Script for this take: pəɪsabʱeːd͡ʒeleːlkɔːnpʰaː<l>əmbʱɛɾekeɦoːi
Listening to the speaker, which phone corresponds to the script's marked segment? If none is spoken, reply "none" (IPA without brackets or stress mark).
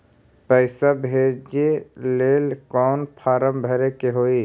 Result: ɾ